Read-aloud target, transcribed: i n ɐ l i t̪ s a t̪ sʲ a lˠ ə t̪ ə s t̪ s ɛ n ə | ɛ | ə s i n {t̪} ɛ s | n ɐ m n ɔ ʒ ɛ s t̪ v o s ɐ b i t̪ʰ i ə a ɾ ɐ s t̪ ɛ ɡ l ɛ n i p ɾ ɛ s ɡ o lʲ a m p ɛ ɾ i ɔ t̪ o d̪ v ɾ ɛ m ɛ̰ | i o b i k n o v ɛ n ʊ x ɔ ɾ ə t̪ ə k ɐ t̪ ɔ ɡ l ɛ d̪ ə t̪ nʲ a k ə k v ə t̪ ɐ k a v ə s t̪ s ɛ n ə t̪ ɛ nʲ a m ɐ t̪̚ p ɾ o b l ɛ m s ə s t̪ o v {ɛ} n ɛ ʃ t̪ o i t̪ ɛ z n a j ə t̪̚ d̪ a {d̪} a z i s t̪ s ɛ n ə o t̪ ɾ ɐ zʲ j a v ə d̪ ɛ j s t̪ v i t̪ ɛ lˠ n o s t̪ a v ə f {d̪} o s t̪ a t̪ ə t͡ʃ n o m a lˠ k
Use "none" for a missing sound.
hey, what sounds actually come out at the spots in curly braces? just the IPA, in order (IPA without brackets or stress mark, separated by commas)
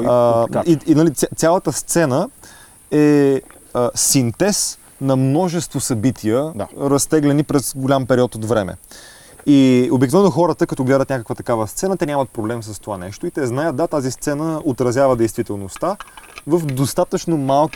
t̪, a, t̪, d̪